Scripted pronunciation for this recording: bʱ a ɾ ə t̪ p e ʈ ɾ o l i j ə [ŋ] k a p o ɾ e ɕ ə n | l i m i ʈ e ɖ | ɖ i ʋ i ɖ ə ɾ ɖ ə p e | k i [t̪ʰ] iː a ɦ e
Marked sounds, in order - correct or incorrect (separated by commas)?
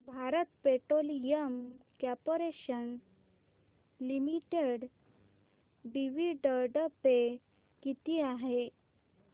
incorrect, incorrect